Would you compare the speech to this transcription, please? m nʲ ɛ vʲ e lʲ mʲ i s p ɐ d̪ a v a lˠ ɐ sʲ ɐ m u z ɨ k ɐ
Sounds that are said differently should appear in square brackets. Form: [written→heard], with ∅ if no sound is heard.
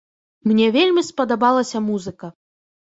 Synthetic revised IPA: m nʲ ɛ vʲ e lʲ mʲ i s p ɐ d̪ a [v→b] a lˠ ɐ sʲ ɐ m u z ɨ k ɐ